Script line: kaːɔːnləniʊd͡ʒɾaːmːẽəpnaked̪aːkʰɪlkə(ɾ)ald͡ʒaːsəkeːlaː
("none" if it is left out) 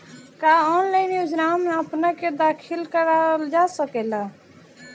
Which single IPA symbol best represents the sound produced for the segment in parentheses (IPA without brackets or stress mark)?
ɾ